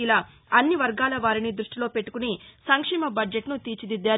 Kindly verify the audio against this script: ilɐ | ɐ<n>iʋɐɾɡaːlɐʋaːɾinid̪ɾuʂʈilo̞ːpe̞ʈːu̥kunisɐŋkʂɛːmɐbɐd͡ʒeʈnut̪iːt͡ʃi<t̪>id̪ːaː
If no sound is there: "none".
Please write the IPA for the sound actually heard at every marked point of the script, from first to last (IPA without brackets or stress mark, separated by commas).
nː, d̪